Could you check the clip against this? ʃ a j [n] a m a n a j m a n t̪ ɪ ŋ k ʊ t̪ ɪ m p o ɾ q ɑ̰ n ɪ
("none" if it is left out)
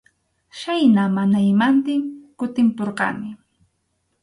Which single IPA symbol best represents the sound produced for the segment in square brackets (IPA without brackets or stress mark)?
n